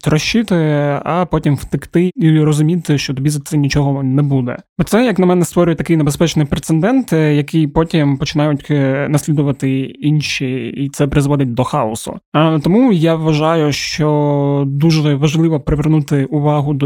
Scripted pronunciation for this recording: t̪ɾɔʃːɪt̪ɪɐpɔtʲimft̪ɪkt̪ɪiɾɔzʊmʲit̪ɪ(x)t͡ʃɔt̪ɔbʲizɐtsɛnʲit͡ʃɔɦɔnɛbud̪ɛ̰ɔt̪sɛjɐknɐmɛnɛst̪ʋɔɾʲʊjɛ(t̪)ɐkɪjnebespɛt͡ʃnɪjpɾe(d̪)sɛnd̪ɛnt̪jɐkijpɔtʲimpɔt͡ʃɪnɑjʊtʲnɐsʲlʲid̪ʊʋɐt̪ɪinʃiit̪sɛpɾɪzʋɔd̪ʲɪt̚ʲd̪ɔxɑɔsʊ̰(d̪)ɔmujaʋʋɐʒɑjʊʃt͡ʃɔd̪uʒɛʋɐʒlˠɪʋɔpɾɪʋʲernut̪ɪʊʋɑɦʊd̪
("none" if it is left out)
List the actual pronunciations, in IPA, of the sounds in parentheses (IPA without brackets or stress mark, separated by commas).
ʃ, t̪, t̪, t̪